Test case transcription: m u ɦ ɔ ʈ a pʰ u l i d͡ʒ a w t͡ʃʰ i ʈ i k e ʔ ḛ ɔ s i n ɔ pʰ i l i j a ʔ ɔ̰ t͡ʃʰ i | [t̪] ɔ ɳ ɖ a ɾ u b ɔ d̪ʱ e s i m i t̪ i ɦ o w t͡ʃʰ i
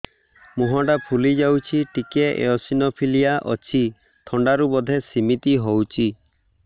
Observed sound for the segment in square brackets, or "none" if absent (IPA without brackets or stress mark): t̪ʰ